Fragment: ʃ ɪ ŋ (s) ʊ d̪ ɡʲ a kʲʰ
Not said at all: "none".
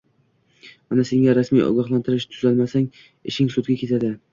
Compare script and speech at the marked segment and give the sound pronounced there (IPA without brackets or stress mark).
s